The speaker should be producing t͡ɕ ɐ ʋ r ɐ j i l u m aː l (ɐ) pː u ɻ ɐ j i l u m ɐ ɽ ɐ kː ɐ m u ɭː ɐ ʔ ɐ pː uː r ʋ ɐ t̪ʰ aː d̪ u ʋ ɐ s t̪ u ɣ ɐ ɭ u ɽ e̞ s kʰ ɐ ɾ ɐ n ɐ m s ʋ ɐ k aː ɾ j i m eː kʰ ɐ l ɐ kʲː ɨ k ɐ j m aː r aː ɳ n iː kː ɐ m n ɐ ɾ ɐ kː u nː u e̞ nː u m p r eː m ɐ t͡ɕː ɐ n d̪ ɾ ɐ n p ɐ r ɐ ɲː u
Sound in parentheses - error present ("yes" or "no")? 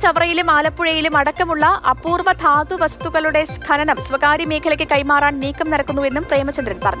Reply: no